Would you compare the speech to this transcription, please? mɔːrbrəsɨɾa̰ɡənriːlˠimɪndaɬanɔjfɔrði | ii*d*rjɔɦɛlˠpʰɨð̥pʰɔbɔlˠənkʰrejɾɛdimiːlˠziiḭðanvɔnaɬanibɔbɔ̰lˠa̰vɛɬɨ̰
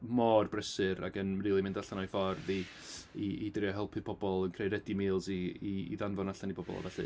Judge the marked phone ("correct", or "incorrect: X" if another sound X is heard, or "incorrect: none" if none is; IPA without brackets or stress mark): correct